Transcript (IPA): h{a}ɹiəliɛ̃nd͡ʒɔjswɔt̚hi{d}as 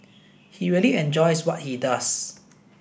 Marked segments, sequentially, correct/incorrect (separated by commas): incorrect, correct